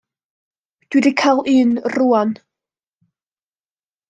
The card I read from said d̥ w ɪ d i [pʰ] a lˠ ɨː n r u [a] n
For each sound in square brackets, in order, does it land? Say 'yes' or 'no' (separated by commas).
no, yes